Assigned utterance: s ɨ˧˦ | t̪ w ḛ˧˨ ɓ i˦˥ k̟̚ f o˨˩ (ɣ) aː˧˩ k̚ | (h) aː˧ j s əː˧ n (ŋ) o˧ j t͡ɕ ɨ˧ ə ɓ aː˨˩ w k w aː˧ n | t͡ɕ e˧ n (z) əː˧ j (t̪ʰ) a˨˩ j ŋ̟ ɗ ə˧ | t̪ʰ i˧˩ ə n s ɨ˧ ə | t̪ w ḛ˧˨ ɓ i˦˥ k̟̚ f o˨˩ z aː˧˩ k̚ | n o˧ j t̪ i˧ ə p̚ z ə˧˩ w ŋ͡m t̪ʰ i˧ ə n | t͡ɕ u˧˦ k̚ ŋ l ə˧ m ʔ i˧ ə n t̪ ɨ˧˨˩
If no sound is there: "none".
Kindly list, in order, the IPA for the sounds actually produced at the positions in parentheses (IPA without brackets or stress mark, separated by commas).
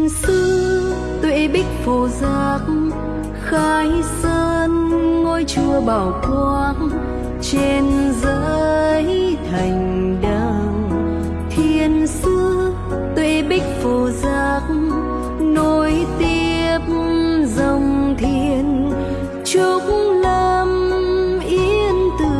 z, x, ŋ, z, t̪ʰ